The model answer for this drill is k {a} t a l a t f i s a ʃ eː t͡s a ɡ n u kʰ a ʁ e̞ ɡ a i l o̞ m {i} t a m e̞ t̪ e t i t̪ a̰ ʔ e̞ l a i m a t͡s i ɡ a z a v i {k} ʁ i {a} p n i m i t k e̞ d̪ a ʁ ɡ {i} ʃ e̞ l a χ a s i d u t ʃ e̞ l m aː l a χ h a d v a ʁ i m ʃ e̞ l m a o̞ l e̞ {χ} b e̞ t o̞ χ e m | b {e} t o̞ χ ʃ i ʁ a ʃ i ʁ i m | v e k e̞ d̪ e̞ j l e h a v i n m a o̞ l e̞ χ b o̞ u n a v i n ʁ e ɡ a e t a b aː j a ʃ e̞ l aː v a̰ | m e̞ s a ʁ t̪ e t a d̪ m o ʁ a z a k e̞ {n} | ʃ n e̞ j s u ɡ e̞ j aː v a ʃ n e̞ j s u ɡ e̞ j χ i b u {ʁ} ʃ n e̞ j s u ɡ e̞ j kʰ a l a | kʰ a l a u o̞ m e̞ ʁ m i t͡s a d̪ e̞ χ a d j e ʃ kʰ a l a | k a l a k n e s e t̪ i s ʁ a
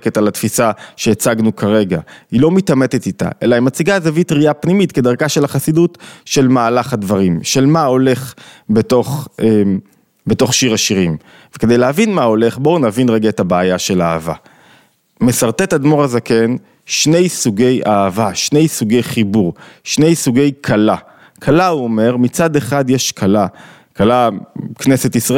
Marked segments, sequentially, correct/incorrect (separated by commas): incorrect, correct, incorrect, correct, incorrect, correct, correct, correct, correct